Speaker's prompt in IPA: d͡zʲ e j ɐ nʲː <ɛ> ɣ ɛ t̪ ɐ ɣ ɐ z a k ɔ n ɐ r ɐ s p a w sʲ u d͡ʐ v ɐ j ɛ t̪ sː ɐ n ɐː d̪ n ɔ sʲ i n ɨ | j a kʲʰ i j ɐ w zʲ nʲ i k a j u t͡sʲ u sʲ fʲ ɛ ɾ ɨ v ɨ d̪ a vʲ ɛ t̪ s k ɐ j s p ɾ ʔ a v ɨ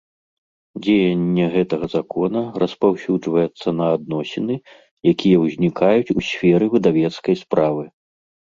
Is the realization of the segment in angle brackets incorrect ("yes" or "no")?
no